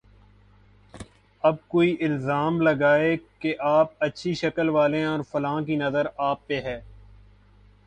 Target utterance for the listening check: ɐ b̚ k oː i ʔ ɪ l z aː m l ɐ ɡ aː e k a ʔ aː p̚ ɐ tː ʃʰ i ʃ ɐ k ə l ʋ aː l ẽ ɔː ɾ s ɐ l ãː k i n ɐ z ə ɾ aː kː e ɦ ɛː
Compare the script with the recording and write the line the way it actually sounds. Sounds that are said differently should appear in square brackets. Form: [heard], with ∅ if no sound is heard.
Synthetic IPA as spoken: ɐ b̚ k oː i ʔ ɪ l z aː m l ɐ ɡ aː e k [e] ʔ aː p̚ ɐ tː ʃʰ i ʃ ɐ k ə l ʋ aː l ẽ ɔː ɾ [f] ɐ l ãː k i n ɐ z ə ɾ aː [pː] e ɦ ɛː